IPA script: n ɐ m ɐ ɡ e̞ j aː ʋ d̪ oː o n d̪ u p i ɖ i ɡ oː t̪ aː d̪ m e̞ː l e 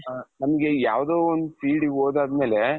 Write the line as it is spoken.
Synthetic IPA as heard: n ɐ m ɐ ɡ e̞ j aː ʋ d̪ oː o n d̪ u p iː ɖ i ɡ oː d̪ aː d̪ m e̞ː l e

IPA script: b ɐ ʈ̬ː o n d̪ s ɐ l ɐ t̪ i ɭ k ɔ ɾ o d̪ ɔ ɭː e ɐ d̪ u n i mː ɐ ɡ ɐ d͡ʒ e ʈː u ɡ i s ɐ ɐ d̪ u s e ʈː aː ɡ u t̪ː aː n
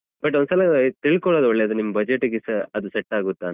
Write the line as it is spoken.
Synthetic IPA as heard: b ɐ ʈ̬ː o n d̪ s ɐ l ɐ t̪ i ɭ k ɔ ɭ o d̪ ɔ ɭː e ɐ d̪ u n i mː ɐ b ɐ d͡ʒ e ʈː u ɡ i s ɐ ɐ d̪ u s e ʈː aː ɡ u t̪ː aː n

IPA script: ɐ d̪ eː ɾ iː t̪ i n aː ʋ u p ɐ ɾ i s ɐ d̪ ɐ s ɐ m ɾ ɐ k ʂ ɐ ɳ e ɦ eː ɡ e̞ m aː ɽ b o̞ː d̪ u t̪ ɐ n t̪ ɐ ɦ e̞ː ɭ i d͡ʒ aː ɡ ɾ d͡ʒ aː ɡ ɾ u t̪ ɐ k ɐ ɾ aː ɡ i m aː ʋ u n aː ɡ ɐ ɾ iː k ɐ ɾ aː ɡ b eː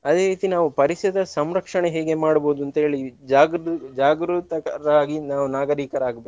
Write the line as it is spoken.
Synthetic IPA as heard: ɐ d̪ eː ɾ iː t̪ i n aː ʋ u p ɐ ɾ i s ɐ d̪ ɐ s ɐ m ɾ ɐ k ʂ ɐ ɳ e ɦ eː ɡ e̞ m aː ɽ b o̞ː d̪ u ɐ n t̪ ɐ ɦ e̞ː ɭ i d͡ʒ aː ɡ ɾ d͡ʒ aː ɡ ɾ u t̪ ɐ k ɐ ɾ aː ɡ i n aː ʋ u n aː ɡ ɐ ɾ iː k ɐ ɾ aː ɡ b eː

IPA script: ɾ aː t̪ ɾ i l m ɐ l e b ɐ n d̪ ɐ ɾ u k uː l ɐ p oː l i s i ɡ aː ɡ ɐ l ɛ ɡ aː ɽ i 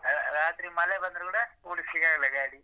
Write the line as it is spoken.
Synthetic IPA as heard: ɾ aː t̪ ɾ i m ɐ l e b ɐ n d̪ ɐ ɾ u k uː ɽ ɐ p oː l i s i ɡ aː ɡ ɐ l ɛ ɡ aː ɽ i

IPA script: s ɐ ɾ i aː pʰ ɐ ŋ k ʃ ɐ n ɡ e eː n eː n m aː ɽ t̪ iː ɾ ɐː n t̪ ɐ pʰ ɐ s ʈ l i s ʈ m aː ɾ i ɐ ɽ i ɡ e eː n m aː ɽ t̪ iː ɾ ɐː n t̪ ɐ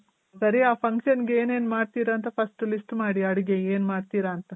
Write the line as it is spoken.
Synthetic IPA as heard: s ɐ ɾ i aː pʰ ɐ ŋ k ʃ ɐ n ɡ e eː n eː n m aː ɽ t̪ iː ɾ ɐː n t̪ ɐ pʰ ɐ s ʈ l i s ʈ m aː ɽ i ɐ ɽ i ɡ e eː n m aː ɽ t̪ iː ɾ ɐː n t̪ ɐ

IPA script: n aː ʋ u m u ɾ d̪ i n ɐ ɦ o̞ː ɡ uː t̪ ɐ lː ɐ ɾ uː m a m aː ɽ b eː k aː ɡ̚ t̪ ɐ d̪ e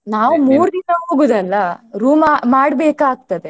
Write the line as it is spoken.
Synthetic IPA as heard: n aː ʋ u m uː ɾ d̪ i n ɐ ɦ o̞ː ɡ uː d̪ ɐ lː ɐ ɾ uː m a m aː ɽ b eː k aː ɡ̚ t̪ ɐ d̪ e

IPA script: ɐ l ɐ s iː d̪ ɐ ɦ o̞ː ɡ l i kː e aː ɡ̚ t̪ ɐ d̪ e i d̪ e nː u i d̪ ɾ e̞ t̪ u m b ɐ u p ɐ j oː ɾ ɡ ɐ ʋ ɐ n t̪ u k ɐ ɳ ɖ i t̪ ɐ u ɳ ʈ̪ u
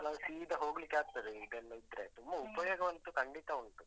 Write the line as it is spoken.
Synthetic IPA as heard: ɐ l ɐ s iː d̪ ɐ ɦ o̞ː ɡ l i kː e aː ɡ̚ t̪ ɐ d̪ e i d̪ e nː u i d̪ ɾ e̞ t̪ u m b ɐ u p ɐ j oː ɡ ɐ ʋ ɐ n t̪ u k ɐ ɳ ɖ i t̪ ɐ u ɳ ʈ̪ u

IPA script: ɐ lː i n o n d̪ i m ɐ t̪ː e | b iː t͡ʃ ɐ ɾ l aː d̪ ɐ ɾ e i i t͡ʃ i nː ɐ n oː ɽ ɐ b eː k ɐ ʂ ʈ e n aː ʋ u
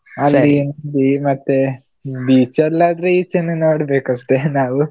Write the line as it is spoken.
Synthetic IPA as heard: ɐ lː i n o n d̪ i m ɐ t̪ː e | b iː t͡ʃ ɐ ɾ l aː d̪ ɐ ɾ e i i t͡ʃ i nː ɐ n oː ɽ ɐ b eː k ɐ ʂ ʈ e n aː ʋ u

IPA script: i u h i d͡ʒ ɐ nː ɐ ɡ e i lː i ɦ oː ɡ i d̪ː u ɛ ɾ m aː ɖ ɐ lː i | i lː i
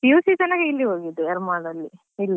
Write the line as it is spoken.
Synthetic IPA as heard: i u s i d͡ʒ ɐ n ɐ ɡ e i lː i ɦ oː ɡ i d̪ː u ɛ ɾ m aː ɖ ɐ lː i | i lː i

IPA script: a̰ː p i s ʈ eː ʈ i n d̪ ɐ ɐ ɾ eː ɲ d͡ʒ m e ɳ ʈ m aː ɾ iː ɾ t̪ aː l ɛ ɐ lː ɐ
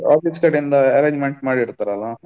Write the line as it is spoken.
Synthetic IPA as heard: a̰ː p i s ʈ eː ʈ i n d̪ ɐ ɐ ɾ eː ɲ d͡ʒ m e ɳ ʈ m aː ɽ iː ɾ t̪ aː ɾ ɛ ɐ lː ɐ

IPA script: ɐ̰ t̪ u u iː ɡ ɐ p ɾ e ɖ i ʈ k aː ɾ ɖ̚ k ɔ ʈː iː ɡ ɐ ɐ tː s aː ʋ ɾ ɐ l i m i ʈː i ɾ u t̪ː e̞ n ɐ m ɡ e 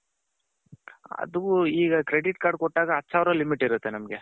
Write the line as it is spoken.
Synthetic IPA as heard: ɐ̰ d̪ u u iː ɡ ɐ k ɾ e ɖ i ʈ k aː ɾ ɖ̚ k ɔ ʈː aː ɡ ɐ ɐ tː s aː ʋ ɾ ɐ l i m i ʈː i ɾ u t̪ː e̞ n ɐ m ɡ e

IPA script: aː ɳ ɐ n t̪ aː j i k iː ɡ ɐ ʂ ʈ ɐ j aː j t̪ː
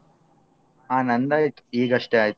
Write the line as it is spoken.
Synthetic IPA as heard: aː n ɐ n d̪ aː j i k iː ɡ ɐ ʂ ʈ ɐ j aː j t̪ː

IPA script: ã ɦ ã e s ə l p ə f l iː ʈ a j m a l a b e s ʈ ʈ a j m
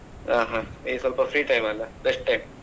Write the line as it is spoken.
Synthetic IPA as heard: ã ɦ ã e s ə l p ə f ɾ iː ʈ a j m a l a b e s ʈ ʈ a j m

